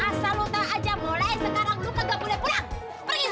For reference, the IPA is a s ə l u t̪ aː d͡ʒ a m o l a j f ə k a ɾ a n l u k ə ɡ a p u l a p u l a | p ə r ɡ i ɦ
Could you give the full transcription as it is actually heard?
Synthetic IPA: a s a l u t̪ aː d͡ʒ a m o l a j s ə k a ɾ a ŋ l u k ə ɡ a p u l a p u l a | p ə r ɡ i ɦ